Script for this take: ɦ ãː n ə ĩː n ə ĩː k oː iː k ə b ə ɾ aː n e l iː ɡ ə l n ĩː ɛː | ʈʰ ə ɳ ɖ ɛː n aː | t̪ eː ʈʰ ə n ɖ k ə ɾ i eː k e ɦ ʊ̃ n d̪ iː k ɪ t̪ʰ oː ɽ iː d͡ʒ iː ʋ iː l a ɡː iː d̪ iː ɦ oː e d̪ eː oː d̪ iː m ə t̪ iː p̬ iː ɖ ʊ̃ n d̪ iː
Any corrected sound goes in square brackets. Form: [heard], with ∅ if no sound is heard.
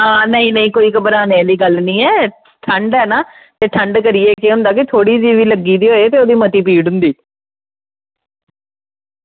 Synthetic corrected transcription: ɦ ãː n ə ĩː n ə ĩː k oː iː k ə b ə ɾ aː n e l iː ɡ ə l n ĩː ɛː | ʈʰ ə ɳ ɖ ɛː n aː | t̪ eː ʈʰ ə [ɳ] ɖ k ə ɾ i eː k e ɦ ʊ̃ n d̪ [aː] k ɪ t̪ʰ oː ɽ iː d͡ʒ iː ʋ iː l [ə] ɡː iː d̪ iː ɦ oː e [t̪] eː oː d̪ iː m ə t̪ iː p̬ iː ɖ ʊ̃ n d̪ iː

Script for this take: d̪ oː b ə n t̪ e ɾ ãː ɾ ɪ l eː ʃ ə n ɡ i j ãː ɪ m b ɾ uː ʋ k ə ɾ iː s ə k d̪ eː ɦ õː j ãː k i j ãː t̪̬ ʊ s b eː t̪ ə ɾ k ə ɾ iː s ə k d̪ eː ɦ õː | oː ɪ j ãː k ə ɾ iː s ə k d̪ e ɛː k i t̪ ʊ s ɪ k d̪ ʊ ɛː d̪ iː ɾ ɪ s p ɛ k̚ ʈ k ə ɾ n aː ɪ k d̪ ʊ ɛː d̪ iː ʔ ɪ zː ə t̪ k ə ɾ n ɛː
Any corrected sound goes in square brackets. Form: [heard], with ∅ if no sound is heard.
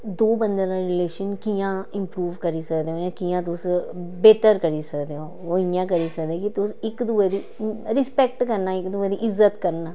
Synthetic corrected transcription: d̪ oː b ə n [d̪] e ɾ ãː ɾ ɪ l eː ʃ ə n [k] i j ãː ɪ m [p] ɾ uː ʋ k ə ɾ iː s ə k d̪ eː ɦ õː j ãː k i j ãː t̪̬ ʊ s b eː t̪ ə ɾ k ə ɾ iː s ə k d̪ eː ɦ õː | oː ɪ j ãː k ə ɾ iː s ə k d̪ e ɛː k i t̪ ʊ s ɪ k d̪ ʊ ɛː d̪ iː ɾ ɪ s p ɛ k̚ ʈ k ə ɾ n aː ɪ k d̪ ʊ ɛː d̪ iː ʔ ɪ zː ə t̪ k ə ɾ n [aː]

